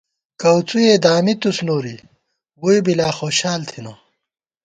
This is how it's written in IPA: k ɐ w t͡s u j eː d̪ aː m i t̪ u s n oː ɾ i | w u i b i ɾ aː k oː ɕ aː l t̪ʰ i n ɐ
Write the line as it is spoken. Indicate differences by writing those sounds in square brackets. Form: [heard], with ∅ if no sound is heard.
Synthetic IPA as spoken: k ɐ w t͡s u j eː d̪ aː m i t̪ u s n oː ɾ i | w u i b i [l] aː [x] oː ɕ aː l t̪ʰ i n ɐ